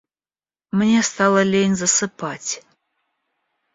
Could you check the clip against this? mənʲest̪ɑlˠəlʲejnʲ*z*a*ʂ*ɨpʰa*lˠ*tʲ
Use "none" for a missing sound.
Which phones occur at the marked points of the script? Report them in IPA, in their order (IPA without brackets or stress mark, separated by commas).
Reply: z, s, none